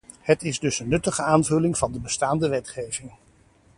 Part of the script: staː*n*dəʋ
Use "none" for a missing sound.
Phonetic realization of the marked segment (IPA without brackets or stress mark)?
n